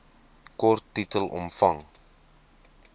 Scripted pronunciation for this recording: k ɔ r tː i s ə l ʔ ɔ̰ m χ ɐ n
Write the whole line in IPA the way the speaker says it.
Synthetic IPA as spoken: k ɔ r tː i t ə l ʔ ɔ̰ m f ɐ ŋ